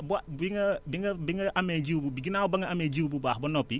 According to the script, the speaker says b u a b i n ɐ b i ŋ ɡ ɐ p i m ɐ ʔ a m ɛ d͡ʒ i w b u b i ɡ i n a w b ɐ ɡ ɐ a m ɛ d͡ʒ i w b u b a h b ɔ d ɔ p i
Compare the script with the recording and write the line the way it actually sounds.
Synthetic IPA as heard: b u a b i ŋ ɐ b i ŋ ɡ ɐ b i ŋ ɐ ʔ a m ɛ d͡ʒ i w b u b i ɡ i n a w b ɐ ŋ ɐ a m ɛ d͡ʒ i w b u b a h b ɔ n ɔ p i